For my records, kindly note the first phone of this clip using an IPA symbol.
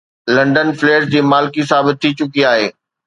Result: l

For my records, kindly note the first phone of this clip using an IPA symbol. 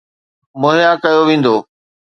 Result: m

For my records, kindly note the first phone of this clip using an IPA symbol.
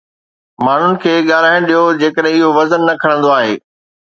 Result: m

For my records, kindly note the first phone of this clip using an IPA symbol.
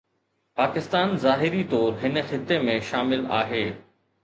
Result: p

